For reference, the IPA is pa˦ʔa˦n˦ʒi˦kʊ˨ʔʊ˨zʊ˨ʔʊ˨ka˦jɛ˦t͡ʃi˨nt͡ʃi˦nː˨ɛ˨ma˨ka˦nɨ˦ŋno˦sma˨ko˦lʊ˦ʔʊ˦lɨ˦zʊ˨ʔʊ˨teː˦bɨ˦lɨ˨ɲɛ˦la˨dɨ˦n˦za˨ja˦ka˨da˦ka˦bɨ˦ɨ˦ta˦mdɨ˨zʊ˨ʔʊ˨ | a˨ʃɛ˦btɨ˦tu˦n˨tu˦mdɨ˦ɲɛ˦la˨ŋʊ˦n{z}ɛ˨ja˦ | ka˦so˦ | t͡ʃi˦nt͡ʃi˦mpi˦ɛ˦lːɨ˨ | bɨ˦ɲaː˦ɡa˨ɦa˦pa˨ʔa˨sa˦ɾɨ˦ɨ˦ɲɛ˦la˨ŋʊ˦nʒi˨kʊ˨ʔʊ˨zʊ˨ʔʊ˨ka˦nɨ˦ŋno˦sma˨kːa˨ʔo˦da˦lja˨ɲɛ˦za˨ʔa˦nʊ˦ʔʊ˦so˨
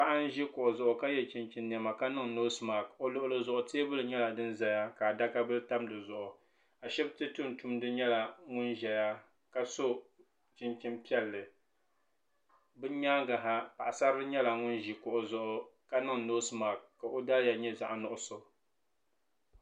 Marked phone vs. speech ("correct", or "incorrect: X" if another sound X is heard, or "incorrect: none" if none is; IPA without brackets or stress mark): incorrect: ʒ